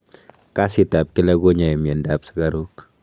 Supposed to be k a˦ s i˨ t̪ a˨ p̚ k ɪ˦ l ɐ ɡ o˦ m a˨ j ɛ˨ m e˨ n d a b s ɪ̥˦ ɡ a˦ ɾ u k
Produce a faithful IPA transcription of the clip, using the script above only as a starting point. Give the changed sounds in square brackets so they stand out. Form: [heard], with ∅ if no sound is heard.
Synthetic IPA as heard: k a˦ s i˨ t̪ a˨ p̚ k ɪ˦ l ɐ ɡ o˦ [ɲ] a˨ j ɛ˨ m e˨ n d a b s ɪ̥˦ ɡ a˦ ɾ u k